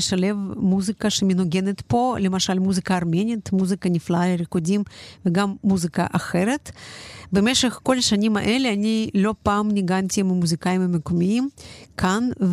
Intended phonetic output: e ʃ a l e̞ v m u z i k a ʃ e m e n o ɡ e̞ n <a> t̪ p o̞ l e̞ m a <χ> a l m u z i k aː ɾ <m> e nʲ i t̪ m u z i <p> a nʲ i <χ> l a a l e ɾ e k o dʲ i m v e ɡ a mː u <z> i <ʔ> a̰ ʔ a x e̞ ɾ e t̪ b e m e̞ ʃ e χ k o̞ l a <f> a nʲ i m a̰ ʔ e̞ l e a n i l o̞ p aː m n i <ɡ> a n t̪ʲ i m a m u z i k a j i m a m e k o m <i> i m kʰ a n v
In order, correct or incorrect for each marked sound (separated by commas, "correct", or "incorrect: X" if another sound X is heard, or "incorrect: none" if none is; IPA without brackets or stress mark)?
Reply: incorrect: e, incorrect: ʃ, correct, incorrect: k, incorrect: f, correct, incorrect: k, incorrect: ʃ, correct, correct